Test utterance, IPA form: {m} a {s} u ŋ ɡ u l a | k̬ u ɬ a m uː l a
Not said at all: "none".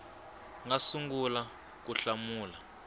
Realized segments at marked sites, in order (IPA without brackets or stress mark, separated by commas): ŋ, s